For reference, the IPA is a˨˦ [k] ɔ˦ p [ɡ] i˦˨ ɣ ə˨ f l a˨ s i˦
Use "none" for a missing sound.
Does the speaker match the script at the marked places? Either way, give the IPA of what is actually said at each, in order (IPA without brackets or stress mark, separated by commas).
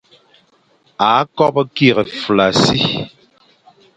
k, k